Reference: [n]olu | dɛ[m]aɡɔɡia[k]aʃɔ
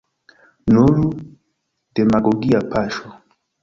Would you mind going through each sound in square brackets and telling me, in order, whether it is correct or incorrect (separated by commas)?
correct, correct, incorrect